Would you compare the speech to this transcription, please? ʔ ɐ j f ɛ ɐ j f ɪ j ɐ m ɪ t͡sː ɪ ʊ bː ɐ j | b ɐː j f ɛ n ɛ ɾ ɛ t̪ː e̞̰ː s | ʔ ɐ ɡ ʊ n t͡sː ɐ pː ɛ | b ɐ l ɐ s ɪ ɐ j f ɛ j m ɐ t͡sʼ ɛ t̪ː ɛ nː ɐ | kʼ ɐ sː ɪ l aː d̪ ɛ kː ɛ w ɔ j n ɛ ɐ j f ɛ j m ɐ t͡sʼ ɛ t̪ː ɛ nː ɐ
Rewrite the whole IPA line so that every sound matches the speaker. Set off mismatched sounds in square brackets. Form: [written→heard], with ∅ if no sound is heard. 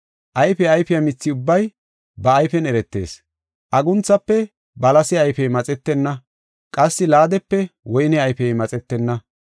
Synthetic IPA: ʔ ɐ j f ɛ ɐ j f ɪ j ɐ m ɪ t͡sː ɪ ʊ bː ɐ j | b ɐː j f ɛ n ɛ ɾ ɛ t̪ː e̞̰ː s | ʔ ɐ ɡ ʊ n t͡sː ɐ pː ɛ | b ɐ l ɐ s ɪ ɐ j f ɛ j m ɐ t͡sʼ ɛ t̪ː ɛ nː ɐ | kʼ ɐ sː ɪ l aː d̪ ɛ [kː→pː] ɛ w ɔ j n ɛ ɐ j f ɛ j m ɐ t͡sʼ ɛ t̪ː ɛ nː ɐ